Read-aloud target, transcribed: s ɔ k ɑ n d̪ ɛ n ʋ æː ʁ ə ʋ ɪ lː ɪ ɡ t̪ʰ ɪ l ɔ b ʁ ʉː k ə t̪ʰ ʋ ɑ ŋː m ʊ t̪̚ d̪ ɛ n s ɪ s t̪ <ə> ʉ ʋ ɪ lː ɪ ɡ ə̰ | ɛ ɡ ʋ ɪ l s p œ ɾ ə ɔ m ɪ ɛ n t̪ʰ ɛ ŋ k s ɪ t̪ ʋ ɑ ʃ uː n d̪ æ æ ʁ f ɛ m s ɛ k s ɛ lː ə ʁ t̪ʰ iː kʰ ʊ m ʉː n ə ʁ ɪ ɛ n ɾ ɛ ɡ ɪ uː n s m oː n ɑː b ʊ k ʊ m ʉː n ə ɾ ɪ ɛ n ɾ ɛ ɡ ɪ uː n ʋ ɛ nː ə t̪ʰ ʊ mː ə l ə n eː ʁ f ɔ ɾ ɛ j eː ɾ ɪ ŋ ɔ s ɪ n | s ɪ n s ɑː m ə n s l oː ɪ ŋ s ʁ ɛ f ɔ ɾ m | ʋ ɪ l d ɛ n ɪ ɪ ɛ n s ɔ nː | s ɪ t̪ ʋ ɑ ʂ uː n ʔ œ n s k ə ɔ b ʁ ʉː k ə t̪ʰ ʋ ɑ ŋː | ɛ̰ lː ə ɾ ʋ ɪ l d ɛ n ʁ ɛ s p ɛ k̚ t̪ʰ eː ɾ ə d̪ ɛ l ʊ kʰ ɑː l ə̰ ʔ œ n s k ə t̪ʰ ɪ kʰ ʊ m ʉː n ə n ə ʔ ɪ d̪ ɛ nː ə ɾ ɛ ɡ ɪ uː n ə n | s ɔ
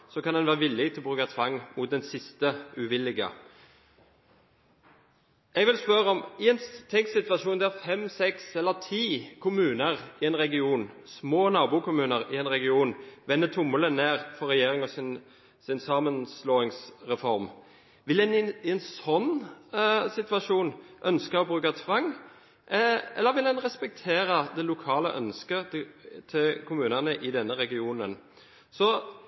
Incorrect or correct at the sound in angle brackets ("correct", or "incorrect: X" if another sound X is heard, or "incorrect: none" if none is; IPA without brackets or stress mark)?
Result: correct